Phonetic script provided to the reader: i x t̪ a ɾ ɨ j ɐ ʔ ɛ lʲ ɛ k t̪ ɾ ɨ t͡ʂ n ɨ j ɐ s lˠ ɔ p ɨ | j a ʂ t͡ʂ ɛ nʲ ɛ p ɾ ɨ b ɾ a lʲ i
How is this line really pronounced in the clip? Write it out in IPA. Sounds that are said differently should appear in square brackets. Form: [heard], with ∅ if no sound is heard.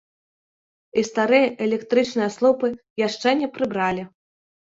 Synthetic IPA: i [s] t̪ a ɾ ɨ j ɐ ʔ ɛ lʲ ɛ k t̪ ɾ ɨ t͡ʂ n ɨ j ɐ s lˠ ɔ p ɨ | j a ʂ t͡ʂ ɛ nʲ ɛ p ɾ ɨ b ɾ a lʲ i